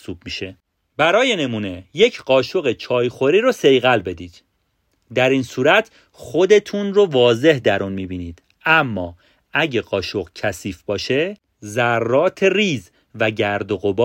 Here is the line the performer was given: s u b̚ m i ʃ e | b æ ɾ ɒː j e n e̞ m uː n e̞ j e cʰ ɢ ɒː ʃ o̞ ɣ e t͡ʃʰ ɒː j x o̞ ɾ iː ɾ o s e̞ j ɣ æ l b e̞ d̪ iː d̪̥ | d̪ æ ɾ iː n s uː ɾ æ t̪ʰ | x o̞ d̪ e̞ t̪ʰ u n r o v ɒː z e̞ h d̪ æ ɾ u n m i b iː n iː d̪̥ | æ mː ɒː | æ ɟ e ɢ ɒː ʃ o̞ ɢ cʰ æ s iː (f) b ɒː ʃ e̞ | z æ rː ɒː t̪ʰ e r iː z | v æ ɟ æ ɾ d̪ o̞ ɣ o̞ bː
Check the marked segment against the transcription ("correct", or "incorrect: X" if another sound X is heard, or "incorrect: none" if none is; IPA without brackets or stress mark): correct